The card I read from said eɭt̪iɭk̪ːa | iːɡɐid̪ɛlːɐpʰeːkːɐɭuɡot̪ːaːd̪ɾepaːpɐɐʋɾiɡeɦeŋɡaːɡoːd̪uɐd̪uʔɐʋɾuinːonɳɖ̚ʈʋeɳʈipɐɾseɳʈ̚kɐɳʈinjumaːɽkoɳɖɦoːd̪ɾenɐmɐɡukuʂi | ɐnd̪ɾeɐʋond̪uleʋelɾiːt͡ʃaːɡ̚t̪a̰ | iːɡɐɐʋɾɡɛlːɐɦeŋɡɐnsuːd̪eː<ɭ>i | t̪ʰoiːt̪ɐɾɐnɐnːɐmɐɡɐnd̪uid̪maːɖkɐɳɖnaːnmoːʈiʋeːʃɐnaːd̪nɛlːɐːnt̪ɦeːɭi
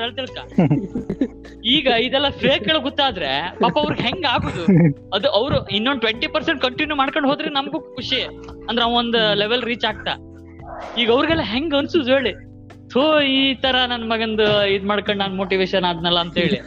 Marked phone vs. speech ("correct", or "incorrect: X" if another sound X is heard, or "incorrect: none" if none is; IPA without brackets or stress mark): correct